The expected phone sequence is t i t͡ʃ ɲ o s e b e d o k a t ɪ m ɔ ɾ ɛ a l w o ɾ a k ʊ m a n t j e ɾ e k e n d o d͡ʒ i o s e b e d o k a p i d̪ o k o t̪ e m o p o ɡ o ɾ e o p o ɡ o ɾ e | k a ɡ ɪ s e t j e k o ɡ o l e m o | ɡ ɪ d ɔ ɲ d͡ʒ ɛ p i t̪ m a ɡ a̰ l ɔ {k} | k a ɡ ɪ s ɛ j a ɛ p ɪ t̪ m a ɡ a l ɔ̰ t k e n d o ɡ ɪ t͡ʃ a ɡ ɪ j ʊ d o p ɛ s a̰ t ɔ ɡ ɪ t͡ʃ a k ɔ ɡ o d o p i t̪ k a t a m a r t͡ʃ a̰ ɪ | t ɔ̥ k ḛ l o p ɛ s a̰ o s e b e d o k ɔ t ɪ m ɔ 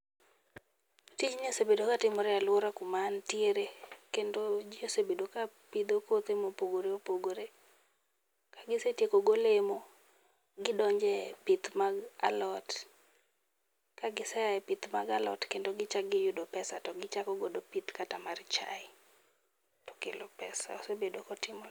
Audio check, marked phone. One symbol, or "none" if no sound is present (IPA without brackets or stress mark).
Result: t